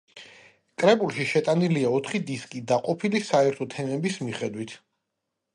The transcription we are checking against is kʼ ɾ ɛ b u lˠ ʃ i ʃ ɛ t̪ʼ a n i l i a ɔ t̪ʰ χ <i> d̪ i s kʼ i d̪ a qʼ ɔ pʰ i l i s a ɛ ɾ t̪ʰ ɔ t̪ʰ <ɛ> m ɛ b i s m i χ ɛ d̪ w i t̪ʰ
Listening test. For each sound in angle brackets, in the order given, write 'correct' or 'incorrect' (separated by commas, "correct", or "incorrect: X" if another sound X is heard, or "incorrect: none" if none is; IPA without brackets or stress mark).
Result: correct, correct